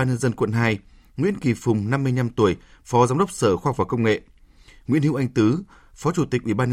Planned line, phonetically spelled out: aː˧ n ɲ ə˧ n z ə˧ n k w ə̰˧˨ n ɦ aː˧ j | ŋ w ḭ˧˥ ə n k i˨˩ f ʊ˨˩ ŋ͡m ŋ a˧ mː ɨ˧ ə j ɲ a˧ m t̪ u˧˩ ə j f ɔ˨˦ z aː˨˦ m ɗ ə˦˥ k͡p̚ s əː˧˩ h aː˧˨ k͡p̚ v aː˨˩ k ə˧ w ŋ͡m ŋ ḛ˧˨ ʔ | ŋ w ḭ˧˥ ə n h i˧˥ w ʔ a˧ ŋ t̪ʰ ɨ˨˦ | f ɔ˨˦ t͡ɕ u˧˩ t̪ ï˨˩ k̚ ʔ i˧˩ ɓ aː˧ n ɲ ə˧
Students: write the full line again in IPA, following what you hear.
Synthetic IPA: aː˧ n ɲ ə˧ n z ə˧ n k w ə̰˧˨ n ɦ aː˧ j | ŋ w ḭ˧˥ ə n k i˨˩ f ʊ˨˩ ŋ͡m n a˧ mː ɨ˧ ə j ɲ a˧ m t̪ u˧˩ ə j f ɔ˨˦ z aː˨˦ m ɗ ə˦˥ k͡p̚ s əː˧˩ x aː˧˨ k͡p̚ v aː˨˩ k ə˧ w ŋ͡m ŋ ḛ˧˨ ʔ | ŋ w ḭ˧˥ ə n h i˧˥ w ʔ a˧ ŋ t̪ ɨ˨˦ | f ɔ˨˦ t͡ɕ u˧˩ t̪ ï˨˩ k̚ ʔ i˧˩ ɓ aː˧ n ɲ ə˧